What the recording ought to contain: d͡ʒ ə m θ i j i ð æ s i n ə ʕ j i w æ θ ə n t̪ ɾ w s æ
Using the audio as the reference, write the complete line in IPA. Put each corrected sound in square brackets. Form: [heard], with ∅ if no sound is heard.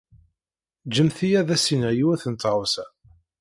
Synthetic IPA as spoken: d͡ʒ ə m θ i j [æ] ð æ s i n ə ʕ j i w æ θ ə n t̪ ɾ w s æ